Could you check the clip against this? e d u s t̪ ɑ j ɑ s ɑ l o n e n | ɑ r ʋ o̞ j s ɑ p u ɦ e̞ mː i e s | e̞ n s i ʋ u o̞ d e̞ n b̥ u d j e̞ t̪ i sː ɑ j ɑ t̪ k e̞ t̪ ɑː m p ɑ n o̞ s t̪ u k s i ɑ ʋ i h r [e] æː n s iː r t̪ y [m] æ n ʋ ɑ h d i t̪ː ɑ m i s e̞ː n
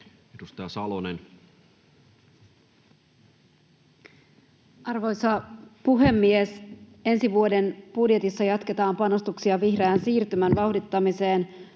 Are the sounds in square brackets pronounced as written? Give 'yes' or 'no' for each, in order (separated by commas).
yes, yes